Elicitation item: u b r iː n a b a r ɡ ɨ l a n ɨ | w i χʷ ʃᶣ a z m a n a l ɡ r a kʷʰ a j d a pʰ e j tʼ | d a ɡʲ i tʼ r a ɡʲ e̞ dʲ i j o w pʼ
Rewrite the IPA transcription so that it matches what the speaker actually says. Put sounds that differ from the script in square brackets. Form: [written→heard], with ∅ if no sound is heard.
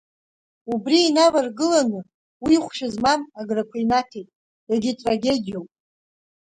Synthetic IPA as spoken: u b r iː n a [b→v] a r ɡ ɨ l a n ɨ | w i χʷ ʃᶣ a z m a n a [l→∅] ɡ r a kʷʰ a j [d→n] a [pʰ→tʰ] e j tʼ | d a ɡʲ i tʼ r a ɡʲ e̞ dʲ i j o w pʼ

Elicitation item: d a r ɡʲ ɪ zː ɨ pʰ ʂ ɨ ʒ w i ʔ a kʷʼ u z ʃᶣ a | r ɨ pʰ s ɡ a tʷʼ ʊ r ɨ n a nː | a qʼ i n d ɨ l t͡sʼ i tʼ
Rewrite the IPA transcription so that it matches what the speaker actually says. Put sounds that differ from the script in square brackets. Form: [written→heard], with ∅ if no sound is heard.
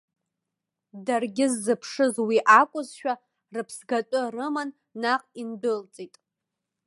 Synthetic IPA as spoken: d a r ɡʲ ɪ zː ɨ pʰ ʂ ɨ [ʒ→z] w i ʔ a kʷʼ [u→ʊ] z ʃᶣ a | r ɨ pʰ s ɡ a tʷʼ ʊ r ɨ [n→m] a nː | a qʼ i n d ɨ l t͡sʼ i tʼ

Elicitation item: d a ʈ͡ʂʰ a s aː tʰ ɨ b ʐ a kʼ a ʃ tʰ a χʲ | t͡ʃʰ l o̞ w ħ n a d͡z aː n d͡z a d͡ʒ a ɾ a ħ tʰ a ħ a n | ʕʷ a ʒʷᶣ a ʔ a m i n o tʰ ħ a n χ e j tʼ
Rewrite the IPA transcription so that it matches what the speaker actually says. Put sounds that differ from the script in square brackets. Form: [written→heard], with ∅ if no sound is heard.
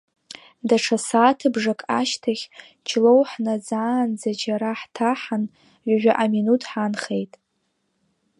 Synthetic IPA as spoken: d a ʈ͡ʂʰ a s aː tʰ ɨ b ʐ a kʼ a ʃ tʰ a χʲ | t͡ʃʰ l o̞ w ħ n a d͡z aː n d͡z a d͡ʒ a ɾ a ħ tʰ a ħ a n | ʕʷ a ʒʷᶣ a ʔ a m i n [o→u] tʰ ħ a n χ e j tʼ

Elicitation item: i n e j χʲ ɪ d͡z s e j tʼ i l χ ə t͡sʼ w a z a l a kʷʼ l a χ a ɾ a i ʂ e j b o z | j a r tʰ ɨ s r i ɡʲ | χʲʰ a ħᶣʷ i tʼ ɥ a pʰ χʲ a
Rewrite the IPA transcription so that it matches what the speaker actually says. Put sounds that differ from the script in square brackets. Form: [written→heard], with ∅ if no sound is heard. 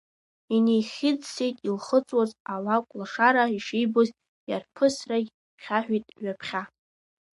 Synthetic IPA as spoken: i n e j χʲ ɪ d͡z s e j tʼ i l χ ə t͡sʼ w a z a l a kʷʼ l a [χ→ʂ] a ɾ a i ʂ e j b o z | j a r [tʰ→pʰ] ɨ s r [i→a] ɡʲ | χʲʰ a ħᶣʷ i tʼ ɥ a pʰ χʲ a

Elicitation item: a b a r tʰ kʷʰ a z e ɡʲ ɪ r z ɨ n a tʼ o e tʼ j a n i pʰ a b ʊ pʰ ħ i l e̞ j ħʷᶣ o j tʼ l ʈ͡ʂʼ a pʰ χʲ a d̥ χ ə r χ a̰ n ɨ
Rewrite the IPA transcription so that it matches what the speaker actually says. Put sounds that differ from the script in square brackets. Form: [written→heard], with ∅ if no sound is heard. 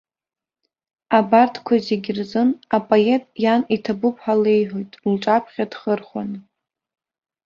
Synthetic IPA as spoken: a b a r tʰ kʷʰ a z e ɡʲ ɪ r z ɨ n a [tʼ→pʼ] o e tʼ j a n i [pʰ→tʰ] a b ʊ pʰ ħ [i→a] l e̞ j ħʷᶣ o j tʼ l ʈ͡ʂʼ a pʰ χʲ a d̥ χ ə r χ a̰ n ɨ

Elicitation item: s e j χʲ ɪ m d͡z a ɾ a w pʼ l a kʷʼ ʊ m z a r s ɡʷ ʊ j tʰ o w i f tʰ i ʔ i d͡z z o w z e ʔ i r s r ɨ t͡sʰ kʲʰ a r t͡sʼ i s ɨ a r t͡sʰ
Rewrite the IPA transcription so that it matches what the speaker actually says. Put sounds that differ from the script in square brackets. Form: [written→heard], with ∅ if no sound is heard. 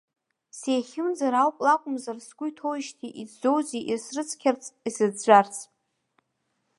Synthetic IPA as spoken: s e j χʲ ɪ m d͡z a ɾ a w pʼ l a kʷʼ ʊ m z a r s ɡʷ ʊ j tʰ o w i [f→ʃ] tʰ i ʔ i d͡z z o w z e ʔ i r s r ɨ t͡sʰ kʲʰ a r t͡sʼ i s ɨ a r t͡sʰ

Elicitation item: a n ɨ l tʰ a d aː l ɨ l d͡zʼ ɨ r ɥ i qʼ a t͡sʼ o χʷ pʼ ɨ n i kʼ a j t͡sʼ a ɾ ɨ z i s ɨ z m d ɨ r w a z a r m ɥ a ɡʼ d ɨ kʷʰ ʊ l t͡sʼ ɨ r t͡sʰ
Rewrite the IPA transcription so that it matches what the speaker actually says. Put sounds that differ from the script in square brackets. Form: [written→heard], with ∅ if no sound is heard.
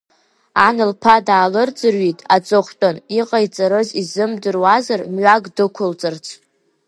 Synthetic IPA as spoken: a n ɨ l [tʰ→pʰ] a d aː l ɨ [l→r] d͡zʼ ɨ r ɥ i [qʼ→tʼ] a t͡sʼ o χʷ [pʼ→tʼ] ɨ n i [kʼ→qʼ] a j t͡sʼ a ɾ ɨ z i [s→z] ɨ [z→∅] m d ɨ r w a z a r m ɥ a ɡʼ d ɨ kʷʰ ʊ l t͡sʼ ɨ r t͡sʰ

